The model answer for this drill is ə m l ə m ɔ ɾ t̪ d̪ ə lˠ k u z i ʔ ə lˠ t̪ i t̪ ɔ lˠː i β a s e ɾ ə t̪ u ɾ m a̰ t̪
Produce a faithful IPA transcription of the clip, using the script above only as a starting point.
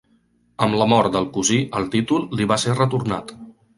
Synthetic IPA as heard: ə m l ə m ɔ ɾ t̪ d̪ ə lˠ k u z i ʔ ə lˠ t̪ i t̪ u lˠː i β a s e r ə t̪ u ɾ n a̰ t̪